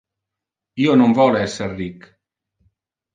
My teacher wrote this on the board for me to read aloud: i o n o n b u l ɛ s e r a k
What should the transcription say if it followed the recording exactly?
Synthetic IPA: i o n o m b ɔ l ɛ s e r i k

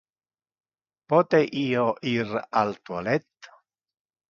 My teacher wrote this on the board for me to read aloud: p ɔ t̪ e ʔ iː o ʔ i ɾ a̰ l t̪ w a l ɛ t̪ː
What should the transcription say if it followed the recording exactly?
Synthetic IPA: p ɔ t̪ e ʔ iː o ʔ i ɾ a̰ l t̪ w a l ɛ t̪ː

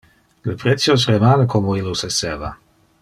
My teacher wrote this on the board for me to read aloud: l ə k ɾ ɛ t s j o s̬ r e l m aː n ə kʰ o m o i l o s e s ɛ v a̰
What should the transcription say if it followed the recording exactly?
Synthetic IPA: l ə p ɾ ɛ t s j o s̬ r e m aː n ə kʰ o m o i l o s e s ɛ v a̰

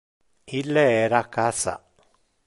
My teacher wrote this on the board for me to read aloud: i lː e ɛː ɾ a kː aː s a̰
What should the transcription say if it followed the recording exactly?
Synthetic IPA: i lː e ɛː ɾ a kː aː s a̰

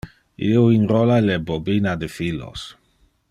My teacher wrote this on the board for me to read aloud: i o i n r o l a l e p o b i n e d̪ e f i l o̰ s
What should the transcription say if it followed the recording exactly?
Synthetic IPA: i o i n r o l a l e b o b i n a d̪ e f i l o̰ s

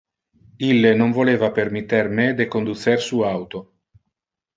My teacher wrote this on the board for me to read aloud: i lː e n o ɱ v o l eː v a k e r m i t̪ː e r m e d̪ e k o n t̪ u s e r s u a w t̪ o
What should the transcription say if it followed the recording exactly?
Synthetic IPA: i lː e n o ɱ v o l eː v a p e r m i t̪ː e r m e d̪ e k o n d̪ u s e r s u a w t̪ o

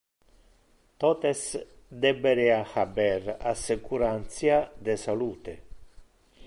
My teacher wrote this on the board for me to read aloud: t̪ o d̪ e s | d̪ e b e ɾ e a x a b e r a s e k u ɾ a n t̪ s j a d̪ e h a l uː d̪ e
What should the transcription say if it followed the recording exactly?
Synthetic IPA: t̪ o t̪ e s | d̪ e b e ɾ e a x a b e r a s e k u ɾ a n t̪ s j a d̪ e s a l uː t̪ e

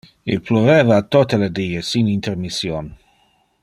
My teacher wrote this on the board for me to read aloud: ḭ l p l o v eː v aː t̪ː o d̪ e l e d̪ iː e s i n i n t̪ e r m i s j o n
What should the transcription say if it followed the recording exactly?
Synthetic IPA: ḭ l p l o v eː v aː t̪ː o t̪ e l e d̪ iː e s i n i n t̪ e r m i s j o n

